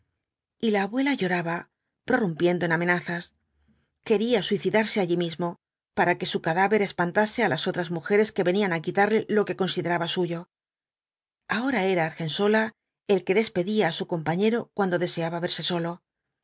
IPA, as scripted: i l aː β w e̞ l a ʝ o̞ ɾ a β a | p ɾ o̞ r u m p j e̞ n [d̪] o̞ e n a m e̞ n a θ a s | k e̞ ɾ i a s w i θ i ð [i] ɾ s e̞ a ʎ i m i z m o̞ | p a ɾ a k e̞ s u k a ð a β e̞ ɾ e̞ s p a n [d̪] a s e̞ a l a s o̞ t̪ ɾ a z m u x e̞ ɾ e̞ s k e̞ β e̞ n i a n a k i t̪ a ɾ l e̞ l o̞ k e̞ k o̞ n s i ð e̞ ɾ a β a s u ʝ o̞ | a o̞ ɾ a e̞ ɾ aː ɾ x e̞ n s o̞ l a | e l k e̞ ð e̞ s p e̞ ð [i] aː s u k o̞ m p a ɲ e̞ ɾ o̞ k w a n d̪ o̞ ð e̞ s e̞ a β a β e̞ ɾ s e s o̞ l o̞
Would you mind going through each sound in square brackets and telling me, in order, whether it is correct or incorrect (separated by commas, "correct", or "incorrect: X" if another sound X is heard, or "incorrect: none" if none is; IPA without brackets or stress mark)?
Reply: correct, incorrect: a, incorrect: t̪, correct